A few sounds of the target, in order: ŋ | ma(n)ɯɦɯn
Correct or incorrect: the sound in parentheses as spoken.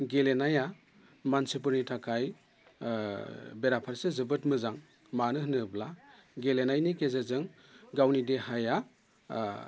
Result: correct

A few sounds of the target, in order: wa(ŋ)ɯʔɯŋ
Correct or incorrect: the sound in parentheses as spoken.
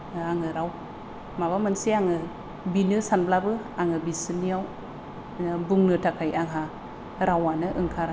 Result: incorrect: n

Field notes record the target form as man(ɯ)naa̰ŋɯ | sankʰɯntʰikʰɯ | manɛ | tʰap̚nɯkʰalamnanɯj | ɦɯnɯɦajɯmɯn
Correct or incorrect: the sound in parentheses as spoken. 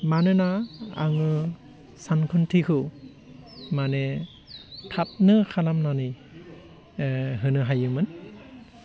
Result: correct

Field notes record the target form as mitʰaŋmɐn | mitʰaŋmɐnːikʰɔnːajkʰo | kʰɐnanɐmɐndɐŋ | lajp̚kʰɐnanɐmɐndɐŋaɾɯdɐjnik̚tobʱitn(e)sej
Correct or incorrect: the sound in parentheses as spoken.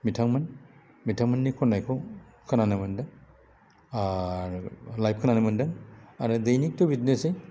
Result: correct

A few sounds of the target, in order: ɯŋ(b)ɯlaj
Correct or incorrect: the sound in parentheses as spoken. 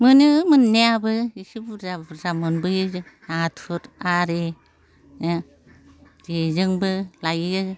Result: correct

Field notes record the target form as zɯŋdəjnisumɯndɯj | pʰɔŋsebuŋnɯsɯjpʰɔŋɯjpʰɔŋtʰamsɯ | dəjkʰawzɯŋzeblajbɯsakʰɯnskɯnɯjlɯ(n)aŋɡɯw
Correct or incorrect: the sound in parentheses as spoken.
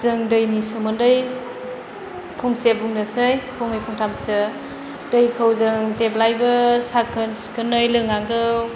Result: incorrect: ŋ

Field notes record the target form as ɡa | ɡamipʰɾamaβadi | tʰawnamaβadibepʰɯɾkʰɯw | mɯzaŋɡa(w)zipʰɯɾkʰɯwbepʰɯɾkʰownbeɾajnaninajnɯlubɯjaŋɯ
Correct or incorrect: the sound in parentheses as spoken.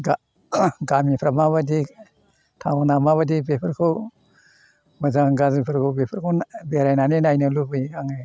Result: incorrect: none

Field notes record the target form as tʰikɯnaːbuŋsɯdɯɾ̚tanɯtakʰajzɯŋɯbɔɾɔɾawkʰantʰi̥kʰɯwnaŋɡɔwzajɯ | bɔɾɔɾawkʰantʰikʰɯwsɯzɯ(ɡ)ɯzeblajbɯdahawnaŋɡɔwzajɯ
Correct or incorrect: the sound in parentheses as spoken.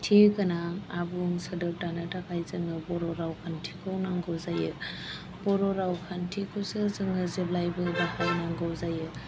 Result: incorrect: ŋ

